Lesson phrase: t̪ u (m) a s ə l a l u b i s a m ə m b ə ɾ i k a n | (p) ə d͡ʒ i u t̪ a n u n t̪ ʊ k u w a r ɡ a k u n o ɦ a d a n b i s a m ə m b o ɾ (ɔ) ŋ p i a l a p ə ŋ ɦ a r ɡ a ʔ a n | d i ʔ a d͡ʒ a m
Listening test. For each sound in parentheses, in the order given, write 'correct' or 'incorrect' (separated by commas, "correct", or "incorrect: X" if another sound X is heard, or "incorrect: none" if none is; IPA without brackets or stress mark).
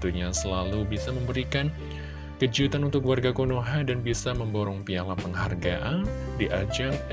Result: incorrect: ɲ, incorrect: k, correct